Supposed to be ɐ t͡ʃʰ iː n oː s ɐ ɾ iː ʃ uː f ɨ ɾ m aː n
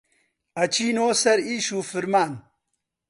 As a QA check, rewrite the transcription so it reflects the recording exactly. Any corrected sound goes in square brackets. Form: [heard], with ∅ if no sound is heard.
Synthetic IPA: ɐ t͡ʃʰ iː n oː s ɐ ɾ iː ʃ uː f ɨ ɾ m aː n